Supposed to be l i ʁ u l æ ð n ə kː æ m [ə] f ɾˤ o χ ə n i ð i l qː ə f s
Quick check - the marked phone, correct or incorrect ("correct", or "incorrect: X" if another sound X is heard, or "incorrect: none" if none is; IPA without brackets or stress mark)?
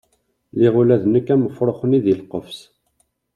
correct